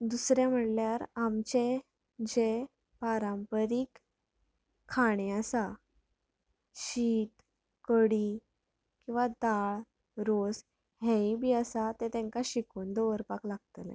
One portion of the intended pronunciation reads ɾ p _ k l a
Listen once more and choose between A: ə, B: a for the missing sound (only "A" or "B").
B